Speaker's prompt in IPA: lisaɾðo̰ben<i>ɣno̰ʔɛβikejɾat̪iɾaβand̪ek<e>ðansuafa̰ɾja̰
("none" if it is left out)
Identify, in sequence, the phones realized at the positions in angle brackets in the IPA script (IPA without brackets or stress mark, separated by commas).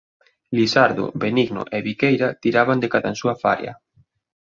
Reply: i, a